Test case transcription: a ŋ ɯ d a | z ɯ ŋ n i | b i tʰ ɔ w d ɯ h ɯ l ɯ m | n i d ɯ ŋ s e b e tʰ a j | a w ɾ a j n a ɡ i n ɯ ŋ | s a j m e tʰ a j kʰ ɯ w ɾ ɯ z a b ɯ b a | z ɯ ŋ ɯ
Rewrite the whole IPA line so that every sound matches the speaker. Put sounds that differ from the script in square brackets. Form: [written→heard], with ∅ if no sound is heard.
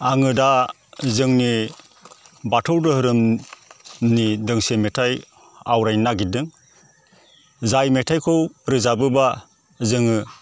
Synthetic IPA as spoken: a ŋ ɯ d a | z ɯ ŋ n i | b [i→a] tʰ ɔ w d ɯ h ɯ [l→ɾ] ɯ m | n i d ɯ ŋ s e [b→m] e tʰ a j | a w ɾ a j n a ɡ i [n→d] ɯ ŋ | [s→z] a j m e tʰ a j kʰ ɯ w ɾ ɯ z a b ɯ b a | z ɯ ŋ ɯ

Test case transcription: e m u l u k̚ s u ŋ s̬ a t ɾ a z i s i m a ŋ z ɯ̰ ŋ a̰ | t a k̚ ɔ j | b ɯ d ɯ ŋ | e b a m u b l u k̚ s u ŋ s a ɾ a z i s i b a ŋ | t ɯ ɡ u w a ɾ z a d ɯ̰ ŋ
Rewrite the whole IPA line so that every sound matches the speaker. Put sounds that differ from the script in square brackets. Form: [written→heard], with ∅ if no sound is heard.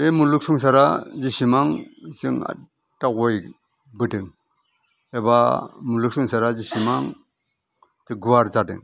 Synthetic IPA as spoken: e m u l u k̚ s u ŋ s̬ a [t→∅] ɾ a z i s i m a ŋ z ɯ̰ ŋ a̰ | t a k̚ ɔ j | b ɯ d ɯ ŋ | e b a m u [b→∅] l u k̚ s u ŋ s a ɾ a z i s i [b→m] a ŋ | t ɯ ɡ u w a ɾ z a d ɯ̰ ŋ

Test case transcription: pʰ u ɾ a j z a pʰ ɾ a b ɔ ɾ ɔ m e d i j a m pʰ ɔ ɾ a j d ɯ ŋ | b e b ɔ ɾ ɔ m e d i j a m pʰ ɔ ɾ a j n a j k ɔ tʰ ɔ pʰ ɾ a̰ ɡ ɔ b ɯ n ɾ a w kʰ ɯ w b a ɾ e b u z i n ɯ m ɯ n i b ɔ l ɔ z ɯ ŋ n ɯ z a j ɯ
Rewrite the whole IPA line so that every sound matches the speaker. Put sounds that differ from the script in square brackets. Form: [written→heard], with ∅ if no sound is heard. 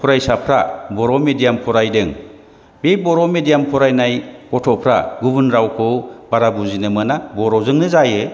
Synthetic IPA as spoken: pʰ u ɾ a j [z→s] a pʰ ɾ a b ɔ ɾ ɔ m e d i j a m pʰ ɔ ɾ a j d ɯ ŋ | b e b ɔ ɾ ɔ m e d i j a m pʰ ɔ ɾ a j n a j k ɔ tʰ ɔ pʰ ɾ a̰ ɡ [ɔ→u] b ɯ n ɾ a w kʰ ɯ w b a ɾ [e→a] b u z i n ɯ m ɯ n [i→a] b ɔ [l→ɾ] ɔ z ɯ ŋ n ɯ z a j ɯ

